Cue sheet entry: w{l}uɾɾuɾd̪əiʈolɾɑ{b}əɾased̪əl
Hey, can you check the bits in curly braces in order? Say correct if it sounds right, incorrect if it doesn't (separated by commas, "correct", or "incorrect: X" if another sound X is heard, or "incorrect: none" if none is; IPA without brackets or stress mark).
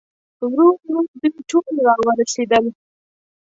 incorrect: ɾ, incorrect: w